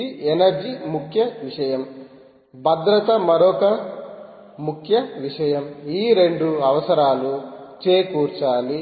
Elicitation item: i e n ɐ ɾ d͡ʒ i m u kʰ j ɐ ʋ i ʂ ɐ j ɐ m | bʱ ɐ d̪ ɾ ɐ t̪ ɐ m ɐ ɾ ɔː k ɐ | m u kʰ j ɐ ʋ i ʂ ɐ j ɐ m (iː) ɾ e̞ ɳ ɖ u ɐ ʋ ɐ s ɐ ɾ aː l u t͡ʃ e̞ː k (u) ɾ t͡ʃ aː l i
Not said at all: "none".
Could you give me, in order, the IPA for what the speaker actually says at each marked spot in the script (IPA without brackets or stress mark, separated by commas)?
iː, uː